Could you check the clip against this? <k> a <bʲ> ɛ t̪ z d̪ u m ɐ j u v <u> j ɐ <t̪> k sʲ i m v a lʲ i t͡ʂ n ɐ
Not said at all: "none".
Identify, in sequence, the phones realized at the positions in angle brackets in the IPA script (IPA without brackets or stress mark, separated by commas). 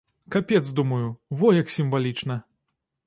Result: k, pʲ, ɔ, none